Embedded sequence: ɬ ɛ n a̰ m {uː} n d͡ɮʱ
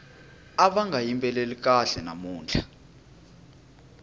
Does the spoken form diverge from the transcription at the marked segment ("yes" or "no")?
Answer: no